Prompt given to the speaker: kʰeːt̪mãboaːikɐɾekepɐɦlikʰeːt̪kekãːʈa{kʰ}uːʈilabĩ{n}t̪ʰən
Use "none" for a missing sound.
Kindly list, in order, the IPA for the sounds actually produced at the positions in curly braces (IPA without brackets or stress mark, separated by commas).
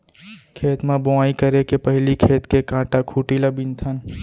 kʰ, n